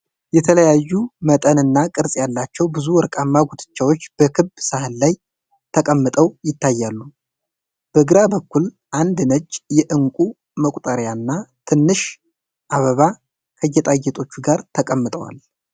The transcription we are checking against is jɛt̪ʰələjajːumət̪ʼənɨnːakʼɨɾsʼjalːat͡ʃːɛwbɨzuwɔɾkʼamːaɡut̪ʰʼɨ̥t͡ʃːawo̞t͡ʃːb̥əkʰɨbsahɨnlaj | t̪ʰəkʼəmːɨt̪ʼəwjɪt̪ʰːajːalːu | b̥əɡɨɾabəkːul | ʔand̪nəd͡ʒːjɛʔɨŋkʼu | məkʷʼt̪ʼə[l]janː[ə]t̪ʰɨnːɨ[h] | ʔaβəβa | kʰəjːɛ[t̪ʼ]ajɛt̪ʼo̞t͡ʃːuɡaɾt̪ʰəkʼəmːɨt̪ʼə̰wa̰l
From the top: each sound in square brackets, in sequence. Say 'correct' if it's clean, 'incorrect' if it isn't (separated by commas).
incorrect, incorrect, incorrect, correct